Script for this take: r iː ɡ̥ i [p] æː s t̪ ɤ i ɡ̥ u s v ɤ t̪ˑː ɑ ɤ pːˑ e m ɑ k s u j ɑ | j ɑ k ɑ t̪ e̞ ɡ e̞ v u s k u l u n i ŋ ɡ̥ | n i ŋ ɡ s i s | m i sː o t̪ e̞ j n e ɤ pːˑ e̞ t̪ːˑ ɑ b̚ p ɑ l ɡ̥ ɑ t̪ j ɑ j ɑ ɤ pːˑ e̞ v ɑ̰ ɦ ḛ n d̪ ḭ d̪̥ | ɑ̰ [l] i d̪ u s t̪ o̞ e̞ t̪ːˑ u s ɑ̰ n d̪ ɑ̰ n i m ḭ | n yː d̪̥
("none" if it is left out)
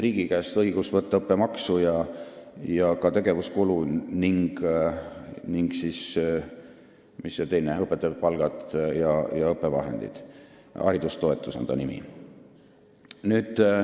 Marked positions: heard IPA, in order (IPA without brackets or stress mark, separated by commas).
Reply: k, ɾ